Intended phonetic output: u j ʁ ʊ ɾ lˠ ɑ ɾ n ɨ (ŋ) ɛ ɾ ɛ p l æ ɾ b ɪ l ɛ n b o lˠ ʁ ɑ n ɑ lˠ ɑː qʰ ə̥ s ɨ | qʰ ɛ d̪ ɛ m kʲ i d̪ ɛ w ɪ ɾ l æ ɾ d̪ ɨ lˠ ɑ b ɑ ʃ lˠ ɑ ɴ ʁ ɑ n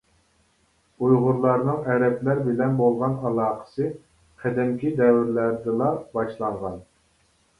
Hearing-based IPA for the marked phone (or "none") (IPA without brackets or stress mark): ŋ